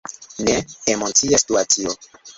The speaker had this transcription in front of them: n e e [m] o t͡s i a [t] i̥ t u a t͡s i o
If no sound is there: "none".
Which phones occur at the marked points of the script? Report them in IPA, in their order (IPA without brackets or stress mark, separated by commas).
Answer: m, s